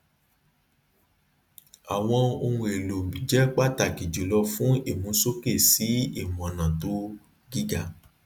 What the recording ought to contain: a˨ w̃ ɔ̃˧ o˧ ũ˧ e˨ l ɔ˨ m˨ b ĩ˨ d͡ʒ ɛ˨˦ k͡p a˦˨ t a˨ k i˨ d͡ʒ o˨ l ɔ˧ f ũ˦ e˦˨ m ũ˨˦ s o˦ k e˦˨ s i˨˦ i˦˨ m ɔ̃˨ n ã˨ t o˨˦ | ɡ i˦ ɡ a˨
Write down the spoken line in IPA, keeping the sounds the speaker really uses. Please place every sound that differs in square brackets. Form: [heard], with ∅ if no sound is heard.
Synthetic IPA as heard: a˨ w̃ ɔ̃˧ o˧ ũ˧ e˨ l [o˨] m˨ b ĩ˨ d͡ʒ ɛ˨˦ k͡p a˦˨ t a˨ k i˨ d͡ʒ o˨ l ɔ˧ f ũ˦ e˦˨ m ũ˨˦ s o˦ k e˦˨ s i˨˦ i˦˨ m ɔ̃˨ n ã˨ t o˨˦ | ɡ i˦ ɡ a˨